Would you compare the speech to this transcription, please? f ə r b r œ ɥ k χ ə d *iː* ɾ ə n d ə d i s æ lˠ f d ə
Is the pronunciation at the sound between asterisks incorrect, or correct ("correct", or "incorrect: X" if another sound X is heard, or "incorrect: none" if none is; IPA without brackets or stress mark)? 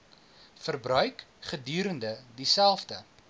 incorrect: yː